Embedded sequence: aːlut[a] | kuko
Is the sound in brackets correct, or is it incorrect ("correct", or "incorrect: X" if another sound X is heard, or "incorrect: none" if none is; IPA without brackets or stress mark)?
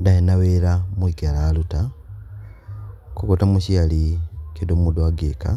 correct